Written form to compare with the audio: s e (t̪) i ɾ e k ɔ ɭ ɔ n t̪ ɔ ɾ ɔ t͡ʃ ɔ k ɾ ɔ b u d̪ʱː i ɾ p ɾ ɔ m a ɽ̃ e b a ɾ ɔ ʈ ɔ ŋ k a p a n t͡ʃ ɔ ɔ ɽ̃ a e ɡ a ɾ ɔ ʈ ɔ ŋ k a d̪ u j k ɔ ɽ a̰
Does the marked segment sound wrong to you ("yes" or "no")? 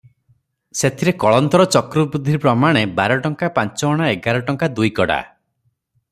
yes